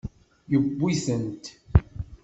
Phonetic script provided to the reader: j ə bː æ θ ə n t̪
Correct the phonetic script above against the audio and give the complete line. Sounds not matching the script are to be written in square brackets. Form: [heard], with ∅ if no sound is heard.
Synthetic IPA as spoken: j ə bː [i] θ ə n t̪